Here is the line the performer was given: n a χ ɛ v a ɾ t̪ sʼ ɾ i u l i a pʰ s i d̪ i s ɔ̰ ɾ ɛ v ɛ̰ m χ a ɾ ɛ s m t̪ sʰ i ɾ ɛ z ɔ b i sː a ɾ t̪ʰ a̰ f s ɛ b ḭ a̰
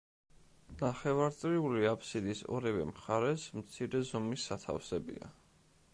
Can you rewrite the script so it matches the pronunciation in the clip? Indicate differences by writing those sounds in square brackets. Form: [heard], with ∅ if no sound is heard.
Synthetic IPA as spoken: n a χ ɛ v a ɾ t̪ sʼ ɾ i u l i a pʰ s i d̪ i s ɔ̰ ɾ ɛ v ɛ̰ m χ a ɾ ɛ s m t̪ sʰ i ɾ ɛ z ɔ [m] i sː a [∅] t̪ʰ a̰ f s ɛ b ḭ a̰